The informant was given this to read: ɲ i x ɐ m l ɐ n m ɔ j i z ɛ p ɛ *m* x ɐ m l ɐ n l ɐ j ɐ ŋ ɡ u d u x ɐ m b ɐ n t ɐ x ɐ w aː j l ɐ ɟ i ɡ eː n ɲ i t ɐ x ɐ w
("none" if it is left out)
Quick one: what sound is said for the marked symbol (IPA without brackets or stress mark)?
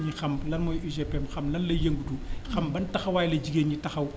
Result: m